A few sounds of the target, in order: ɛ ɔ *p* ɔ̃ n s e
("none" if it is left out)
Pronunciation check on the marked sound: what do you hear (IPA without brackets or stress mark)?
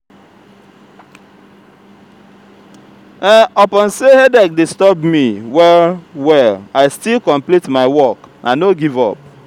p